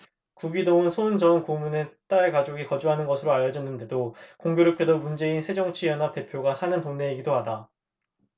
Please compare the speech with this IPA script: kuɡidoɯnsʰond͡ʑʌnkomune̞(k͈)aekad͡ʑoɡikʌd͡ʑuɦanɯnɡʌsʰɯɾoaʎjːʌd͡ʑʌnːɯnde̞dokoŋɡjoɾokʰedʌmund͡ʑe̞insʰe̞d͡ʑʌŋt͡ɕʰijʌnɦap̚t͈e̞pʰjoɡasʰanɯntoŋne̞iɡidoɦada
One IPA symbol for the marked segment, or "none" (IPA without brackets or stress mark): t͈